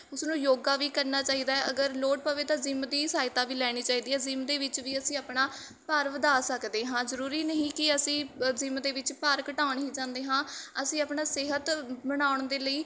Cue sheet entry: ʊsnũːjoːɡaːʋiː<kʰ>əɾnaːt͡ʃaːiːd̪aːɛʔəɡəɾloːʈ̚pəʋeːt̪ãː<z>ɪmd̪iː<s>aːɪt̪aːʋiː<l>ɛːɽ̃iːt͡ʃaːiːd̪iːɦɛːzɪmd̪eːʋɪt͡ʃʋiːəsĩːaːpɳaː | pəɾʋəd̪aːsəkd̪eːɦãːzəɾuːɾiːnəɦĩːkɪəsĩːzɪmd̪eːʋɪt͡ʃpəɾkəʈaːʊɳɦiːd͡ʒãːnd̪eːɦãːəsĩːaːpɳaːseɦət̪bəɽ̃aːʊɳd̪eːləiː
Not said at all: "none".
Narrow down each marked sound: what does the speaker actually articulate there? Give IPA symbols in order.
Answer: k, z, s, l

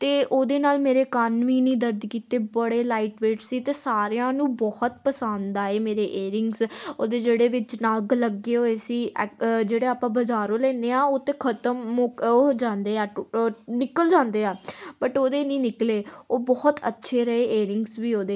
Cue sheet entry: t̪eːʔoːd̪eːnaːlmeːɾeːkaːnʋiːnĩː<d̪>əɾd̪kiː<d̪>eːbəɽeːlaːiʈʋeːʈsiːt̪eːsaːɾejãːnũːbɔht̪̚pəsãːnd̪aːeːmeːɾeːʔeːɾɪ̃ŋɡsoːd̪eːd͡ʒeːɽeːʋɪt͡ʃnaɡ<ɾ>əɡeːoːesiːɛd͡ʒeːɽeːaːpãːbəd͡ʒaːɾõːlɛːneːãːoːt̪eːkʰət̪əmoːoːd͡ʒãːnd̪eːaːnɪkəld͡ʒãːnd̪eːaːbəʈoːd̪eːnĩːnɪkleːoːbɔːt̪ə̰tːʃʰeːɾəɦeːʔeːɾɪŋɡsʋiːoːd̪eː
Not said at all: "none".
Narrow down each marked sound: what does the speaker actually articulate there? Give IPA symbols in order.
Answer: d̪, t̪, l

